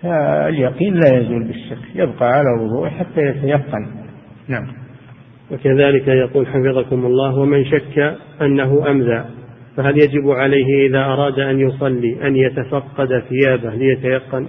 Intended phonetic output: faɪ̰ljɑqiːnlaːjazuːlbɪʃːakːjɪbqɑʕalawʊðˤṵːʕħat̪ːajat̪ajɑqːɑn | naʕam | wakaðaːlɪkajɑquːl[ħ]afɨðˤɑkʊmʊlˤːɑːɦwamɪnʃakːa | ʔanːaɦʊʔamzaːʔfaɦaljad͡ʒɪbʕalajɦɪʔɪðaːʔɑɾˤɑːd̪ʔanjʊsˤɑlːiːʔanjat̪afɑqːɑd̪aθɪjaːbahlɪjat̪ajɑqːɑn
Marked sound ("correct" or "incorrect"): correct